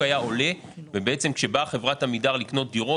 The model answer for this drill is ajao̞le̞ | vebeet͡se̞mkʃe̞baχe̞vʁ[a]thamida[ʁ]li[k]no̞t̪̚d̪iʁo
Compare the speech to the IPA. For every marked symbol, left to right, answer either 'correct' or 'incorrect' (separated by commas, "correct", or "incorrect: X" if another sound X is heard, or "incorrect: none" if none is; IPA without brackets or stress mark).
correct, correct, correct